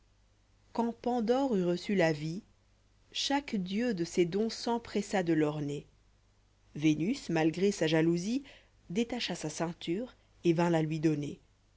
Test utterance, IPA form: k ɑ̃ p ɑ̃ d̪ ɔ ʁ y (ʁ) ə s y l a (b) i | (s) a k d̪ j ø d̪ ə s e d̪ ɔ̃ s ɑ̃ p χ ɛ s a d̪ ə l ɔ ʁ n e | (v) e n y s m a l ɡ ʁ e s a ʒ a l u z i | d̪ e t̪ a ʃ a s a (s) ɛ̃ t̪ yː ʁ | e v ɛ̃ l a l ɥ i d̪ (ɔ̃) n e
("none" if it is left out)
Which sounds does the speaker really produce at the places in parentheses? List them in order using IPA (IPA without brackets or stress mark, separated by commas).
ʁ, v, ʃ, v, s, ɔ